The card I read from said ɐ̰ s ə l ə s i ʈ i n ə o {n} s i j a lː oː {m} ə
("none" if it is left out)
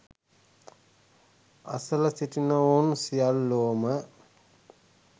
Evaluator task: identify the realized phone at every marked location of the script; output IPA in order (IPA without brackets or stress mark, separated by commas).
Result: n, m